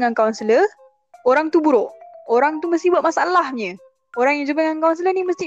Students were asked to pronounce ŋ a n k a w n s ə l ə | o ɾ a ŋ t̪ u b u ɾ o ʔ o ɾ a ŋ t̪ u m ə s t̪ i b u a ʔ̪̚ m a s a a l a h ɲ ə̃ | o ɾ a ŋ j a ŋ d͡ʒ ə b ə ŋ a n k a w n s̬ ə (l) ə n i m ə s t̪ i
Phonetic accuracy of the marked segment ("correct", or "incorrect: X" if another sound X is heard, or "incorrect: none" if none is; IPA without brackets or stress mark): correct